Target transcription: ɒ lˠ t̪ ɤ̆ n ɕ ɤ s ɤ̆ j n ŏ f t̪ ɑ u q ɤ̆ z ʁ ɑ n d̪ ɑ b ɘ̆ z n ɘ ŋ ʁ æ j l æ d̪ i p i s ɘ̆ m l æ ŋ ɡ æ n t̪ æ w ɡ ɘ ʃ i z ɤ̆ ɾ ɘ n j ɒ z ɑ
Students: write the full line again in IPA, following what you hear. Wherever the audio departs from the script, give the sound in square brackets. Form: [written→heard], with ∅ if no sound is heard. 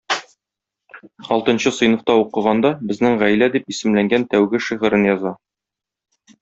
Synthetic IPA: ɒ lˠ t̪ ɤ̆ n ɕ ɤ s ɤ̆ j n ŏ f t̪ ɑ u q ɤ̆ [z→∅] ʁ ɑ n d̪ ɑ b ɘ̆ z n ɘ ŋ ʁ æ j l æ d̪ i p i s ɘ̆ m l æ ŋ ɡ æ n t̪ æ w ɡ ɘ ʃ i [z→ʁ] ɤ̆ ɾ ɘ n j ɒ z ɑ